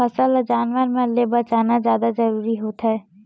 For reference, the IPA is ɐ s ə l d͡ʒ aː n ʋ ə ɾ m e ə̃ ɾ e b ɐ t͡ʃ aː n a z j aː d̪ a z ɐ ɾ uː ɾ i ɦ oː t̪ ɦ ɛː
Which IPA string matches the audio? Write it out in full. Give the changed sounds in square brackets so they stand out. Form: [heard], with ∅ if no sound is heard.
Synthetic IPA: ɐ s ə l d͡ʒ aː n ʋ ə ɾ m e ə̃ [l] e b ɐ t͡ʃ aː n a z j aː d̪ a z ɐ ɾ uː ɾ i ɦ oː t̪ ɦ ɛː

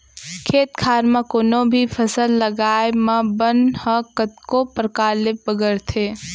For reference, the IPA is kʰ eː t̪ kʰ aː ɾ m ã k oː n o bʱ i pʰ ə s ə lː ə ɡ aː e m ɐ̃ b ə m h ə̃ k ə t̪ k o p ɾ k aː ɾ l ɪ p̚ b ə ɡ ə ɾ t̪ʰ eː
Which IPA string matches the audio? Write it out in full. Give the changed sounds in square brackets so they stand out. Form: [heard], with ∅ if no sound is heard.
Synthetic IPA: kʰ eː t̪ kʰ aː ɾ m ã k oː n o bʱ i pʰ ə s ə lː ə ɡ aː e m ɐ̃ b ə [n] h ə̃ k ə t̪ k o p ɾ k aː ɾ l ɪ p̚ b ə ɡ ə ɾ t̪ʰ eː

